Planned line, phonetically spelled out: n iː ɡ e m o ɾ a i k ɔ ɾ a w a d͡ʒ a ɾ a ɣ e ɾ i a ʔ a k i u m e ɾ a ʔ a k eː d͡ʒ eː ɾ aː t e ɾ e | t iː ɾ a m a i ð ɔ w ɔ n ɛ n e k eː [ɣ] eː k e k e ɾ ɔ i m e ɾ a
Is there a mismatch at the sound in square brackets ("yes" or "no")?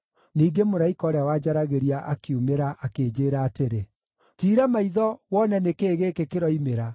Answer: no